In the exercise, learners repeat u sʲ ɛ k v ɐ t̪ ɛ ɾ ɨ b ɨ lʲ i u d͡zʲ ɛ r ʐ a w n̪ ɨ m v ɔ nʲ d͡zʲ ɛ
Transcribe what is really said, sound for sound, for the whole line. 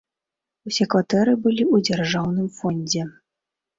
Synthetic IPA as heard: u sʲ ɛ k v a t̪ ɛ ɾ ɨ b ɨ lʲ i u d͡zʲ a r ʐ a w n̪ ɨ m f ɔ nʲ d͡zʲ ɛ